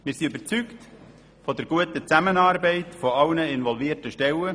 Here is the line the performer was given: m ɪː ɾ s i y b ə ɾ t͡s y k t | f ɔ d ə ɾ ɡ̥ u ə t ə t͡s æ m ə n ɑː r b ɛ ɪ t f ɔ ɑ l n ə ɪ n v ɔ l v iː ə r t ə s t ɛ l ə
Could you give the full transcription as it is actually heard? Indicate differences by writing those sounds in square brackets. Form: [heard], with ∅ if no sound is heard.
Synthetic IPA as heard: m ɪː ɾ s i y b ə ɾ t͡s y k t | f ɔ d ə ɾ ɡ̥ u ə t ə t͡s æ m ə n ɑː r b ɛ ɪ t f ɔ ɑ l n ə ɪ n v ɔ l v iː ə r t ə [ʃ] t ɛ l ə